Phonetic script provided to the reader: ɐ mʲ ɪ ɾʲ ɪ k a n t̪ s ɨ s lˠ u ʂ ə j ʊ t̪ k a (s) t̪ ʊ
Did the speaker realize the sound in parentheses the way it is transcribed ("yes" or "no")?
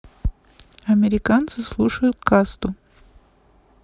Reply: yes